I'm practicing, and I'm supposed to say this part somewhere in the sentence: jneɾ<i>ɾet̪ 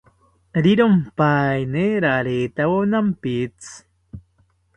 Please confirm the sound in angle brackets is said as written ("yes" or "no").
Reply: no